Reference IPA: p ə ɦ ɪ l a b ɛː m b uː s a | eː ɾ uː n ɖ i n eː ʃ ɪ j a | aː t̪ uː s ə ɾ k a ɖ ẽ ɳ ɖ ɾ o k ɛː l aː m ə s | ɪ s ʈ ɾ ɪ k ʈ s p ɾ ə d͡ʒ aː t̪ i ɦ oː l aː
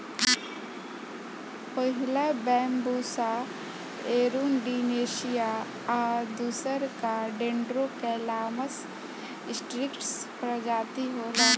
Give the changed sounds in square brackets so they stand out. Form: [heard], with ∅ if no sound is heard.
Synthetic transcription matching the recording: p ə ɦ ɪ l a b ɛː m b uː s a | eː ɾ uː n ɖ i n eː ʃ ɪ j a | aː [d̪] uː s ə ɾ k a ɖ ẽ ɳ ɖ ɾ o k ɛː l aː m ə s | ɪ s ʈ ɾ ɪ k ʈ s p ɾ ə d͡ʒ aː t̪ i ɦ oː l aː